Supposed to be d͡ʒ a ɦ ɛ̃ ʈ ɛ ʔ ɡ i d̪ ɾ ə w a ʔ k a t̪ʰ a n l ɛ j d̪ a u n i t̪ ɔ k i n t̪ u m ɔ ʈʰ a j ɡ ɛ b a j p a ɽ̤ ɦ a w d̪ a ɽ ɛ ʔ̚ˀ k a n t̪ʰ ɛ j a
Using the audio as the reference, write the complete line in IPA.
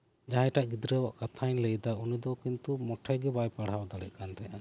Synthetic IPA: d͡ʒ a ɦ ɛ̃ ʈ a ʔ ɡ i d̪ ɾ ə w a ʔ k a t̪ʰ a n l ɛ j d̪ a u n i d̪ ɔ k i n t̪ u m ɔ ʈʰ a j ɡ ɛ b a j p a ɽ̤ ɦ a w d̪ a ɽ ɛ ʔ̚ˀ k a n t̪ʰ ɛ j a